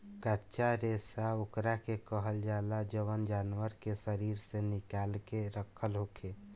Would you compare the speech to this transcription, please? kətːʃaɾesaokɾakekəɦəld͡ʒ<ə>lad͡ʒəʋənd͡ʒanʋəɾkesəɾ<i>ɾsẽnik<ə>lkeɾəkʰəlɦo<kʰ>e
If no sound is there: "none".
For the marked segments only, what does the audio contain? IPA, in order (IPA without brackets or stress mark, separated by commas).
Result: a, i, a, kʰ